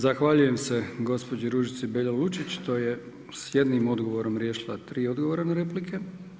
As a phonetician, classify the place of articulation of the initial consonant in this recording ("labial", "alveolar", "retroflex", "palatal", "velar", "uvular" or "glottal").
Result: alveolar